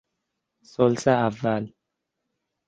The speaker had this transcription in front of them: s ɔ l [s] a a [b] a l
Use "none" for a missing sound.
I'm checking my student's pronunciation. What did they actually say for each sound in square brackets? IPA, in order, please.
s, v

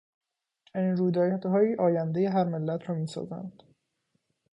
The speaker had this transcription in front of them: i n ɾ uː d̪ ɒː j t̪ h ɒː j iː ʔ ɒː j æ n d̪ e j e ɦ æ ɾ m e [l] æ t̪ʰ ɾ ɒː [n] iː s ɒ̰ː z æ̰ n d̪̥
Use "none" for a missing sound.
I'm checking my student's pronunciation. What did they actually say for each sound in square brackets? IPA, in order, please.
lː, m

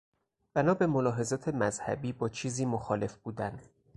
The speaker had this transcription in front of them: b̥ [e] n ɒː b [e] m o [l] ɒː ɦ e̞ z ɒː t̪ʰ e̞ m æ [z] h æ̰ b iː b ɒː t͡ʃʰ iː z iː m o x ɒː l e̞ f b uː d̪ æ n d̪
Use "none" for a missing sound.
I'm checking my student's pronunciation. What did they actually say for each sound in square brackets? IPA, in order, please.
æ, e, l, z

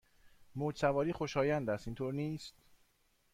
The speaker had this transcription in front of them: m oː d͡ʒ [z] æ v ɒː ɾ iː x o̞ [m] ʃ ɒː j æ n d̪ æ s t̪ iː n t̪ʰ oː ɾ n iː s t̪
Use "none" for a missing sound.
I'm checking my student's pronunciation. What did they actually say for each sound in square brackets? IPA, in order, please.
s, none

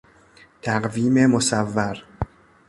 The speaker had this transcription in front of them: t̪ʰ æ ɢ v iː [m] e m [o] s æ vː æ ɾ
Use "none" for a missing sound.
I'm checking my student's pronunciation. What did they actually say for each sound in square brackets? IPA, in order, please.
m, o

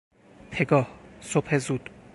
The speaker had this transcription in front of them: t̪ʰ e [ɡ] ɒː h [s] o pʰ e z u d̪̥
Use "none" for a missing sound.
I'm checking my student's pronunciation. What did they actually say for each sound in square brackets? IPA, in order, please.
ɡ, s

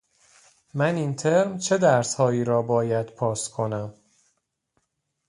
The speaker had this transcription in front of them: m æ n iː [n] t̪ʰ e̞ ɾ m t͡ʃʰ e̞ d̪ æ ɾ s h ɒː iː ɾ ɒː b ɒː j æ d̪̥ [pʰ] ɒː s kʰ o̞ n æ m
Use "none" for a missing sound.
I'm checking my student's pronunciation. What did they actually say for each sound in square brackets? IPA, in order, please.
n, pʰ

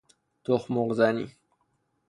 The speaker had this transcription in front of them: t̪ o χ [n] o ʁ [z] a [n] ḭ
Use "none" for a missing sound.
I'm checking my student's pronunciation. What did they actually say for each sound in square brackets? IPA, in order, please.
m, z, n

